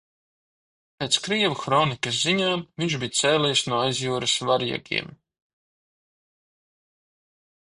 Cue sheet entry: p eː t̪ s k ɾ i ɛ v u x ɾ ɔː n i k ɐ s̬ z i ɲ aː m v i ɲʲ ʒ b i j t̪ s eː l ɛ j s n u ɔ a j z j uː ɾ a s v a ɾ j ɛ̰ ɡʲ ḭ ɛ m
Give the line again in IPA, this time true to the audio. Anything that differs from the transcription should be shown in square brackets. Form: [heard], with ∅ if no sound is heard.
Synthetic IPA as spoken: p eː t̪ s k ɾ i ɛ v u x ɾ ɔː n i k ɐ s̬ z i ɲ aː m v i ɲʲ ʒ b i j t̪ s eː l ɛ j s n u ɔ a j z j uː ɾ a s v a ɾ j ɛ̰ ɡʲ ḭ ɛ m